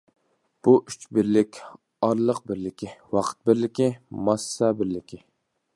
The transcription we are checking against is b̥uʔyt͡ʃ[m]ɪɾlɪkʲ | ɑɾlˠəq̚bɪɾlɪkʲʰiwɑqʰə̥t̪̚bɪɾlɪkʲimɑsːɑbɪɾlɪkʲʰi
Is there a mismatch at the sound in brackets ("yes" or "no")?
yes